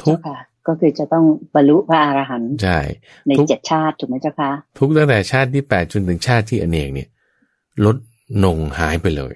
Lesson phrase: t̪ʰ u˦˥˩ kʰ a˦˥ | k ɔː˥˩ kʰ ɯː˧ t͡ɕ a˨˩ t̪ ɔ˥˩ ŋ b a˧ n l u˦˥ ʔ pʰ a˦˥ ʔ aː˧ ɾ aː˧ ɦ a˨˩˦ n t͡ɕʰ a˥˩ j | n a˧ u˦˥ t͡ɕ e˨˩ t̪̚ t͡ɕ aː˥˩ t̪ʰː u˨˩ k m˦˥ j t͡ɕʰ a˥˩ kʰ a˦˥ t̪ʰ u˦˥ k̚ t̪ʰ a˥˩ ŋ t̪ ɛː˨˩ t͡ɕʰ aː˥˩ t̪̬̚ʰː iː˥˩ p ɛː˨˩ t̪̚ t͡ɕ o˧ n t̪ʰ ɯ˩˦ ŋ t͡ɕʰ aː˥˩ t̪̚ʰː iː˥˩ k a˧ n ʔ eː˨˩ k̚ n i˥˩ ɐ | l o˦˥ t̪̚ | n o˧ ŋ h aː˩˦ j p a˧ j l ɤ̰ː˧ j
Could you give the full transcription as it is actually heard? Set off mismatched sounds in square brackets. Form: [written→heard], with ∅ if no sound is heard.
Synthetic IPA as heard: t̪ʰ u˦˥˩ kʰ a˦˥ | k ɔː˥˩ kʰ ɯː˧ t͡ɕ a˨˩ t̪ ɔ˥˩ ŋ b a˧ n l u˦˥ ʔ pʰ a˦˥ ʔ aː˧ ɾ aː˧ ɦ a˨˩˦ n t͡ɕʰ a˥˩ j | n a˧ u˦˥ t͡ɕ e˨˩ t̪̚ [t͡ɕ→t͡ɕʰ] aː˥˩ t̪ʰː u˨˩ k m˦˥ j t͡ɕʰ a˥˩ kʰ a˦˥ t̪ʰ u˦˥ k̚ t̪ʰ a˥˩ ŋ t̪ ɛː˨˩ t͡ɕʰ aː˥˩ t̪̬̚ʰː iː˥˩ p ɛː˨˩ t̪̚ t͡ɕ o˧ n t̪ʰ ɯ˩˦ ŋ t͡ɕʰ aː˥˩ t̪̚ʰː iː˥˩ [k→ʔ] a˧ n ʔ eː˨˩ k̚ n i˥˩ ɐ | l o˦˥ t̪̚ | n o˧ ŋ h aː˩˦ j p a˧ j l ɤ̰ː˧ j